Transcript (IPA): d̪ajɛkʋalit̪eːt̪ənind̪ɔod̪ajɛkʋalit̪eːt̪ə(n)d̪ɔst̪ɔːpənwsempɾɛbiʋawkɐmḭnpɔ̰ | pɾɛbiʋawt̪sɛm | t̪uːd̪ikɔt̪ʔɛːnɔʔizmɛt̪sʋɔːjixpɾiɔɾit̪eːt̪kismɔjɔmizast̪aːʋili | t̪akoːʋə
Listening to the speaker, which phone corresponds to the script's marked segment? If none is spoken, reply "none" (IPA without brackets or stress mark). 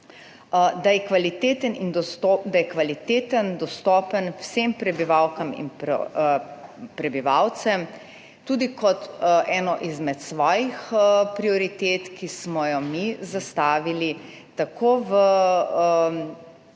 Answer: n